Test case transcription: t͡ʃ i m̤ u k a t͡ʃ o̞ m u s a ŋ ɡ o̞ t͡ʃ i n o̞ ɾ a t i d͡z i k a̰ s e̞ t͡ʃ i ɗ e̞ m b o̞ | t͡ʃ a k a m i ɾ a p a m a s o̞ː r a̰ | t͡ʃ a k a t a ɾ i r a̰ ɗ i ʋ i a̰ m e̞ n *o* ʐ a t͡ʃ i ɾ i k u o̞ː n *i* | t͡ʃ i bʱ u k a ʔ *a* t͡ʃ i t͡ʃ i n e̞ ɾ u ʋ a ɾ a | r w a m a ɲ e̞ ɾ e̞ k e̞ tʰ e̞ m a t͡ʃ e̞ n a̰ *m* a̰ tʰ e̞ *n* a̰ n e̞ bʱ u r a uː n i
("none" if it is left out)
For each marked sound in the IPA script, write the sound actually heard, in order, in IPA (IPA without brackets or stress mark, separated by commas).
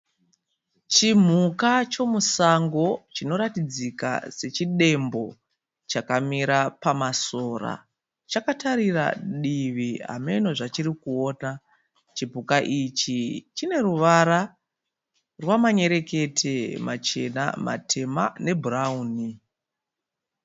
o, a, i, m, m